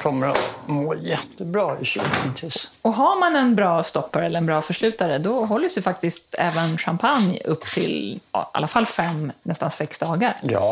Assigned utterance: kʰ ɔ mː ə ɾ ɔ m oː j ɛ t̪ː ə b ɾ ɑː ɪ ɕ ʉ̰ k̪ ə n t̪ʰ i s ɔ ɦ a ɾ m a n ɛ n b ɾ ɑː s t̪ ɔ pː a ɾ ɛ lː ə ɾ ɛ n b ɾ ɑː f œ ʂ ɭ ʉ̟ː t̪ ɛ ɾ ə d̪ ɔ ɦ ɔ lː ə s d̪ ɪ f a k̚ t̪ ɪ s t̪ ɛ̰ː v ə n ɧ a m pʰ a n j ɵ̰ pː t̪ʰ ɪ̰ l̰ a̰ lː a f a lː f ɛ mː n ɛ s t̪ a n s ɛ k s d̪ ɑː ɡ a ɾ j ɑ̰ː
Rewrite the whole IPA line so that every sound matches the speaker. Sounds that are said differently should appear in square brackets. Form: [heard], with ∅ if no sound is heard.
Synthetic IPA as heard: kʰ ɔ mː ə ɾ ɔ m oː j ɛ t̪ː ə b ɾ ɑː ɪ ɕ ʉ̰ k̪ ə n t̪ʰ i s ɔ ɦ a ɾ m a n ɛ n b ɾ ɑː s t̪ ɔ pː a ɾ ɛ lː ə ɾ ɛ n b ɾ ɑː f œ ʂ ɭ ʉ̟ː t̪ [a] ɾ ə d̪ ɔ ɦ ɔ lː ə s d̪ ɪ f a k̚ t̪ ɪ s t̪ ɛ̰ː v ə n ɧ a m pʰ a n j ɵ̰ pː t̪ʰ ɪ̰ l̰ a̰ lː a f a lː f ɛ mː n ɛ s t̪ a n s ɛ k s d̪ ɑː ɡ a ɾ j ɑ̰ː